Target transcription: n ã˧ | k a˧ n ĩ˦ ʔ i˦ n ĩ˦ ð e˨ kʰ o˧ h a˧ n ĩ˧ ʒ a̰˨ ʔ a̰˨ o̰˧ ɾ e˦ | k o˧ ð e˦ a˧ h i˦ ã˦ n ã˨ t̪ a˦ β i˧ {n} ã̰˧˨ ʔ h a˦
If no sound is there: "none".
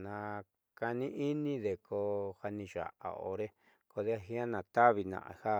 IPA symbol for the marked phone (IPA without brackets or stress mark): n